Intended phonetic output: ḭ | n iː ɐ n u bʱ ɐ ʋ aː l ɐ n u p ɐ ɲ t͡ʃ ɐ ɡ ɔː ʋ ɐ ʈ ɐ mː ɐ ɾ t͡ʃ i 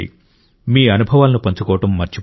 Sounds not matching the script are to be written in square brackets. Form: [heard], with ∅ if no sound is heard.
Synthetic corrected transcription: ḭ | [m] iː ɐ n u bʱ ɐ ʋ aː l ɐ n u p ɐ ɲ t͡ʃ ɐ [k] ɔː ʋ ɐ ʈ ɐ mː ɐ ɾ t͡ʃ i